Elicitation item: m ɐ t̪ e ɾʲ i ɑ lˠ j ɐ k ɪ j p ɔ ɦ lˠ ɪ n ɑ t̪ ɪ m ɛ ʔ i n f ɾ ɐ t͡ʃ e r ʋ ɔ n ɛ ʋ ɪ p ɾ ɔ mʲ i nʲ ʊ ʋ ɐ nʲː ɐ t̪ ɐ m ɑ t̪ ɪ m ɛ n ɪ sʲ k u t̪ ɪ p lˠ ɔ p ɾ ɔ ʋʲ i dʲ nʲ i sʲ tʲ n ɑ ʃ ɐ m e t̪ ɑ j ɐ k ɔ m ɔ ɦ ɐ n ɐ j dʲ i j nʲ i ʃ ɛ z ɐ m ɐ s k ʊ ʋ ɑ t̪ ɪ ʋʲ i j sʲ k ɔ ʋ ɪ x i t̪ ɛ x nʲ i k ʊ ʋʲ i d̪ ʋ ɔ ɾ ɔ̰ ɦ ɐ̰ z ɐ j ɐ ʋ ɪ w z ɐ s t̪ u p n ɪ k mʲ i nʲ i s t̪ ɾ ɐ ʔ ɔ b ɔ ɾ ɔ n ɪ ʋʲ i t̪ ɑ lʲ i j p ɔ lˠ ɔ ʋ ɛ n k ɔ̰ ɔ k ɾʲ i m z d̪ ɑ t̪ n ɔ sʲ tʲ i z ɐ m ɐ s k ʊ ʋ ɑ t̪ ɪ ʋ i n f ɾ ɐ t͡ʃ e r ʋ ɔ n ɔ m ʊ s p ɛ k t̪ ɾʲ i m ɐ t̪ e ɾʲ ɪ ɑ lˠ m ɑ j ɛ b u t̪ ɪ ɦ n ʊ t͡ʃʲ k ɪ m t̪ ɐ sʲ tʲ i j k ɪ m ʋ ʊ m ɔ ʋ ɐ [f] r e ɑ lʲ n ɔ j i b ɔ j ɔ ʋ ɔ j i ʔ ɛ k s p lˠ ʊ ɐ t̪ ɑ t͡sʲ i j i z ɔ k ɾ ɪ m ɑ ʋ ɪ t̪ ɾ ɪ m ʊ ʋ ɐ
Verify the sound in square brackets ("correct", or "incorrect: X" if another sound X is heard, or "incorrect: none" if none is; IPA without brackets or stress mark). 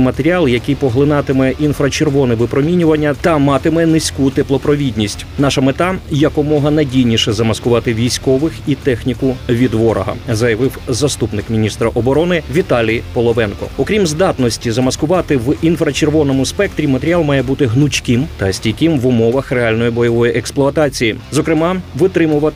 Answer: incorrect: x